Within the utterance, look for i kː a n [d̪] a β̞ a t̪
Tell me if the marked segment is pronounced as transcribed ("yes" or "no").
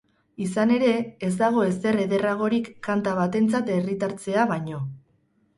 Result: no